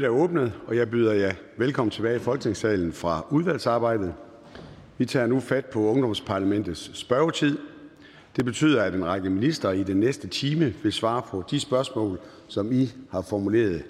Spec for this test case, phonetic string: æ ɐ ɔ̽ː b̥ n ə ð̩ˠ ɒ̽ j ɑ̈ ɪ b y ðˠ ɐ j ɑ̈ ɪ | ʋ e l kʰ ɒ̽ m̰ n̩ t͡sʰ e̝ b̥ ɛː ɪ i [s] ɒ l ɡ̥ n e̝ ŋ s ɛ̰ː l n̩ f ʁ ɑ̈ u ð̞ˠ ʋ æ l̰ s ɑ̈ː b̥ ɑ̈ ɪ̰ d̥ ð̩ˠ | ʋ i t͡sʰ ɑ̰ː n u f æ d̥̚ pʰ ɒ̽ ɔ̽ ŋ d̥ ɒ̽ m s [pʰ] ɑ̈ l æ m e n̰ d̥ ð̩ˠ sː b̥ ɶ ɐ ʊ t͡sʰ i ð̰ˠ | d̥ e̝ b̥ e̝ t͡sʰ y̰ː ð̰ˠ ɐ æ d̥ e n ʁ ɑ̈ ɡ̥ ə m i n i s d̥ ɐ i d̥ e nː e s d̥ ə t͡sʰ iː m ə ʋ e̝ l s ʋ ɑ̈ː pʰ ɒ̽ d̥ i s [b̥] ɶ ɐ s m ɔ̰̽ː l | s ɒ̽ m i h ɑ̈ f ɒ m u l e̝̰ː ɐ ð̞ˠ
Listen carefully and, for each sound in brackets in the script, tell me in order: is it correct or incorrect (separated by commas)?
incorrect, correct, correct